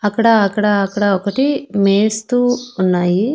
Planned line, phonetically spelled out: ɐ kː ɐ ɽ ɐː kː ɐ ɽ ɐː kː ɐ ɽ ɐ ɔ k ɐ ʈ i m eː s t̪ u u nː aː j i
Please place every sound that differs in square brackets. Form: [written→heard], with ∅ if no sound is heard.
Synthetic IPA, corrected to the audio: ɐ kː ɐ ɽ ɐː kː ɐ ɽ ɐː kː ɐ ɽ ɐ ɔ k ɐ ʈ i m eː s t̪ u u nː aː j i